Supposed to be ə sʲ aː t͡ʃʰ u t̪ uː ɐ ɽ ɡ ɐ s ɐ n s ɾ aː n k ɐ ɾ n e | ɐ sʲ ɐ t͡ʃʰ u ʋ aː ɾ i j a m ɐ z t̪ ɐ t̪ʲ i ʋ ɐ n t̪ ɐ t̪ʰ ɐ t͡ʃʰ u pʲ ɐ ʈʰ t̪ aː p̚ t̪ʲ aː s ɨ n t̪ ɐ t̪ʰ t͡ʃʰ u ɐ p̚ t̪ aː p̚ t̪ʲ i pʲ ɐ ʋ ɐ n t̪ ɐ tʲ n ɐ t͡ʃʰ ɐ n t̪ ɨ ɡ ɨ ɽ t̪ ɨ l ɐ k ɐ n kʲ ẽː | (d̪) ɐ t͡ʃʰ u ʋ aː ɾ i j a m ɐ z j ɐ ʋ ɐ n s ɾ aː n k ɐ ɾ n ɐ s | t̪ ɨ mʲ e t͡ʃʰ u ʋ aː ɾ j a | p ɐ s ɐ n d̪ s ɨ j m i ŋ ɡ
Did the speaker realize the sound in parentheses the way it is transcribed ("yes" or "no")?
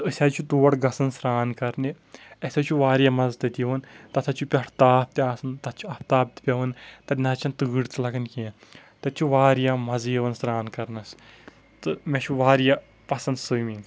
no